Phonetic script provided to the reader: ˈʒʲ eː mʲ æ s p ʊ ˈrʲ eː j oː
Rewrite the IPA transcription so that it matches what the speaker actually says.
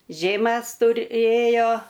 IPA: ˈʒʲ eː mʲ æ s t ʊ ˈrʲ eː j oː